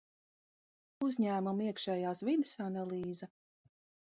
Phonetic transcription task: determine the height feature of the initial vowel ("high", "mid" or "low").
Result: high